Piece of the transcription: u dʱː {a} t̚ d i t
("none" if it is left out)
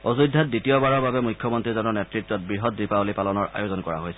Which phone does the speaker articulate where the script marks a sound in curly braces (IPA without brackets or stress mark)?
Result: a